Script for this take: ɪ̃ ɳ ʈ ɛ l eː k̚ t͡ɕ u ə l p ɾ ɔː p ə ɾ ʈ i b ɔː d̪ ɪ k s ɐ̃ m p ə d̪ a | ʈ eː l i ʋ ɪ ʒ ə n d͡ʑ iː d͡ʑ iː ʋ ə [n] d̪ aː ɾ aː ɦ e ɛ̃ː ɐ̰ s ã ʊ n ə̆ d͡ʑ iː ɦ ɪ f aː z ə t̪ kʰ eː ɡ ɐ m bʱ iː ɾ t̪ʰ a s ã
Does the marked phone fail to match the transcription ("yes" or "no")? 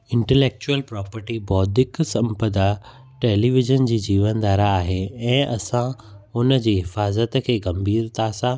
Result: no